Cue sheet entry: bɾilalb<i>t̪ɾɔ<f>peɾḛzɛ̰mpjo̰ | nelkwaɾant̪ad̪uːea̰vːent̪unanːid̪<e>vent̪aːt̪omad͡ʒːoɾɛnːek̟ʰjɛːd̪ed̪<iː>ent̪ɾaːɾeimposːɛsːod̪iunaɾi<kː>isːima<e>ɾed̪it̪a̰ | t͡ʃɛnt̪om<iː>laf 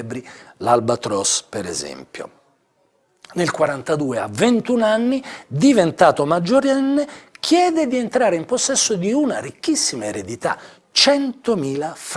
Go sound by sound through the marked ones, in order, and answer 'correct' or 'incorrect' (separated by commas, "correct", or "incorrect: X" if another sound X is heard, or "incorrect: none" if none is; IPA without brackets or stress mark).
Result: incorrect: a, incorrect: s, incorrect: i, incorrect: i, correct, correct, correct